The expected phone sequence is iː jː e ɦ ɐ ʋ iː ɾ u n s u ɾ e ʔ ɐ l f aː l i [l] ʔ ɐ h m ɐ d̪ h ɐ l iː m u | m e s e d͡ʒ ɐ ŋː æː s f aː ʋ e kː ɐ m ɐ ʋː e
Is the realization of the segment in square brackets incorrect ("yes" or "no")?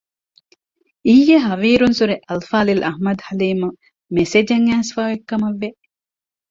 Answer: no